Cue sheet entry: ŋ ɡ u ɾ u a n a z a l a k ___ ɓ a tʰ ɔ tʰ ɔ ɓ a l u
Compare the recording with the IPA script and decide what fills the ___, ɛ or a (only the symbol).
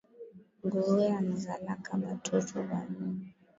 a